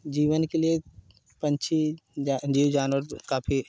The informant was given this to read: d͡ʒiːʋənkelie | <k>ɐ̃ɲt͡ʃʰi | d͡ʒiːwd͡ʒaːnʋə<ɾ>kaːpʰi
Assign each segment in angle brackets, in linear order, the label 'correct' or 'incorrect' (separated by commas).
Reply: incorrect, correct